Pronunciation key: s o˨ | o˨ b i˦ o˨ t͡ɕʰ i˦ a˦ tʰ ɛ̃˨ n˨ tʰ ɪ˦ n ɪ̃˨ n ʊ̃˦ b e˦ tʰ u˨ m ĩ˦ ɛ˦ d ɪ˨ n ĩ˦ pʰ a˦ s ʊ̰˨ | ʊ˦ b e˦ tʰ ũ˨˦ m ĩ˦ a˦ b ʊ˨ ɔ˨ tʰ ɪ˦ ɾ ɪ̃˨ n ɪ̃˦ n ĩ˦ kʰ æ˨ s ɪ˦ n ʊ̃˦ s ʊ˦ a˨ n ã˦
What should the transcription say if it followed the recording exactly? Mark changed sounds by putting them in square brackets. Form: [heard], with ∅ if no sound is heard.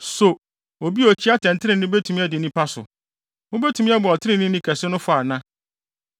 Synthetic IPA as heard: s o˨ | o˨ b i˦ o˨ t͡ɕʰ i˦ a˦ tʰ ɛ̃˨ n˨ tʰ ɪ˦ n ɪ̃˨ n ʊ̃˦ b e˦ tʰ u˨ m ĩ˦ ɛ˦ d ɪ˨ n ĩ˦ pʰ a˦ s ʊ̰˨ | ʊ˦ b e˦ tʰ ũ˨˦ m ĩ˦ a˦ b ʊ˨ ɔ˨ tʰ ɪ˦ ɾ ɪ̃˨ n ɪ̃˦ n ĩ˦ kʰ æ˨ s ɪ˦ n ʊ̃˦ [f] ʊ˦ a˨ n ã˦